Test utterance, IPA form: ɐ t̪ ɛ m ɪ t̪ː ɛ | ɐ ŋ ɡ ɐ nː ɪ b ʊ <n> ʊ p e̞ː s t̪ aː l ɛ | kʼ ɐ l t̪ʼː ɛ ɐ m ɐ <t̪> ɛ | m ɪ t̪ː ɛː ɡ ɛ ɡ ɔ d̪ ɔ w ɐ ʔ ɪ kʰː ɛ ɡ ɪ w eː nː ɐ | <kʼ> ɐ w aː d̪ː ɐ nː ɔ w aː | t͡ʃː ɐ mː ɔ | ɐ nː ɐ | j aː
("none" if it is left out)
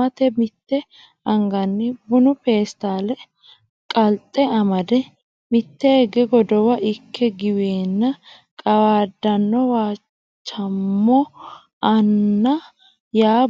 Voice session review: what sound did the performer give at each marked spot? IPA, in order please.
n, d̪, kʼ

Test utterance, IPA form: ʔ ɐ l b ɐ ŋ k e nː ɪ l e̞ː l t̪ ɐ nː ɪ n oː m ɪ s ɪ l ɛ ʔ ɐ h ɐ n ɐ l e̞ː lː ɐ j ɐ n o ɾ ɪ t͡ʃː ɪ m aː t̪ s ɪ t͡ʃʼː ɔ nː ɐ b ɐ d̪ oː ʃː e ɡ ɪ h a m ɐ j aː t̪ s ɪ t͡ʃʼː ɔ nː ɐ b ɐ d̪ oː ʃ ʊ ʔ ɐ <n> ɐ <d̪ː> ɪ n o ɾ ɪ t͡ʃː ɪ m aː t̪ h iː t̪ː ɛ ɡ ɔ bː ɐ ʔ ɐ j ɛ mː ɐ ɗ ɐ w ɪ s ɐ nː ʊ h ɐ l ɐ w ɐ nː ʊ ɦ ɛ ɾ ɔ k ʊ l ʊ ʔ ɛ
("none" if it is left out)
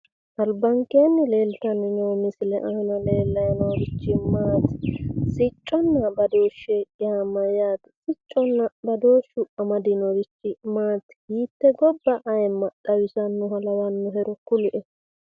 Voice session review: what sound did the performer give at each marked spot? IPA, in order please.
m, d̪

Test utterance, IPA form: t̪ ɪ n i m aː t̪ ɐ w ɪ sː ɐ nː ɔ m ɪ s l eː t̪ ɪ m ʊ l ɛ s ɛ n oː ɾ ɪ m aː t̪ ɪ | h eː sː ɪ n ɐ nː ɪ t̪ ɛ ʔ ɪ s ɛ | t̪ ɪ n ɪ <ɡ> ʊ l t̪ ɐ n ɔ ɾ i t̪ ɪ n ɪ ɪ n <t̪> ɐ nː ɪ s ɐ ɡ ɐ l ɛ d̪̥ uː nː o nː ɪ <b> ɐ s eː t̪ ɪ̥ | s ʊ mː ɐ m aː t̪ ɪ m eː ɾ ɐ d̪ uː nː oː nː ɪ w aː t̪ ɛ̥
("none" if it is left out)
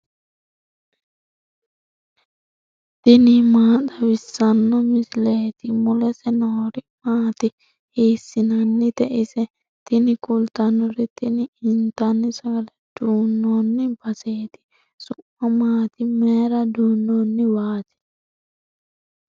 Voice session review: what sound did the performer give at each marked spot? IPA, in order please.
k, t̪, b

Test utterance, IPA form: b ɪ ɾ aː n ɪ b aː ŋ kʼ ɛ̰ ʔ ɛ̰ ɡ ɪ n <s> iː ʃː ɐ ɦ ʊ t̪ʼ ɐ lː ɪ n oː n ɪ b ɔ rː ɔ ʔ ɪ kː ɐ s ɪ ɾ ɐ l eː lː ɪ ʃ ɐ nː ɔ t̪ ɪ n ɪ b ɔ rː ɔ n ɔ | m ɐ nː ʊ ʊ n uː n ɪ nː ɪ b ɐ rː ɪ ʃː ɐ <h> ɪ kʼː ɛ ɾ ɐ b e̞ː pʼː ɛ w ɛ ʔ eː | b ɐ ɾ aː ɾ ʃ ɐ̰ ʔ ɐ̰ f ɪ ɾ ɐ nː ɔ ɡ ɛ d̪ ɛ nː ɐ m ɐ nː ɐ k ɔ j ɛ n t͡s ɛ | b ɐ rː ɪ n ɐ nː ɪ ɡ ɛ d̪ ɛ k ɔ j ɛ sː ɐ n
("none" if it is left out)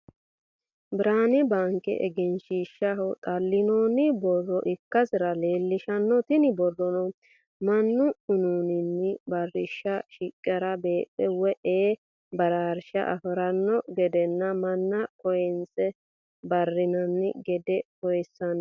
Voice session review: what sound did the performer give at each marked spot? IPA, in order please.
ʃ, ʃ

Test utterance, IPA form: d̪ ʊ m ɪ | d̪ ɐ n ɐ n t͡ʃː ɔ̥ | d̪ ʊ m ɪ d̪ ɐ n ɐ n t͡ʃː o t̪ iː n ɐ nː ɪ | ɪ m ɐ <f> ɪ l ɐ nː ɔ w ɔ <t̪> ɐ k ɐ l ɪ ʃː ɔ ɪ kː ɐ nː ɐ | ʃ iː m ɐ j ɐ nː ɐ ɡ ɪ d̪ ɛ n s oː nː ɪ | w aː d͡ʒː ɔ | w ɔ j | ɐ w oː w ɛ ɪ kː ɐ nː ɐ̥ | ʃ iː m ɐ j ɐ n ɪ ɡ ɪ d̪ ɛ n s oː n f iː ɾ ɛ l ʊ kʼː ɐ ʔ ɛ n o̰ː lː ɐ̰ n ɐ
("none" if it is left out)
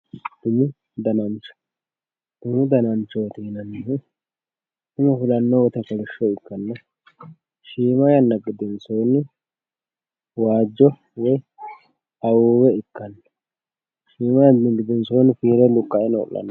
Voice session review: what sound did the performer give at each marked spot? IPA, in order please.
f, t̪

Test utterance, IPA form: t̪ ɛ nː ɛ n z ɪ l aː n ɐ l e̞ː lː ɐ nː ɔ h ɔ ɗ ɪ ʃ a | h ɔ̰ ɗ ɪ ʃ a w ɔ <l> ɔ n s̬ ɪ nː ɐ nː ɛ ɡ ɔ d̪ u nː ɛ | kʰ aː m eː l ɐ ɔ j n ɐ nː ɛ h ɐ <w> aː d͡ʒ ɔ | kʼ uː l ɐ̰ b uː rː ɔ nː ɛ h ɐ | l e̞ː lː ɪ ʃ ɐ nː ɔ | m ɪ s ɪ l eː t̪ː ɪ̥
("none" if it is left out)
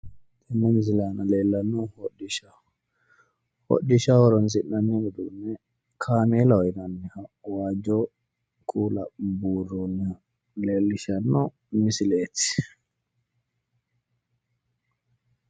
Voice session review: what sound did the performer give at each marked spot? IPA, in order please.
ɾ, w

